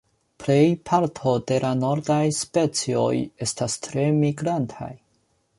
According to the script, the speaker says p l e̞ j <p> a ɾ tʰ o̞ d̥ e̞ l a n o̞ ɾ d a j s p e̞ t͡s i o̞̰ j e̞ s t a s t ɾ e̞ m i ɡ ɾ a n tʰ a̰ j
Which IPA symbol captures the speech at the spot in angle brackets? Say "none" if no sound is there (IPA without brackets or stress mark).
pʰ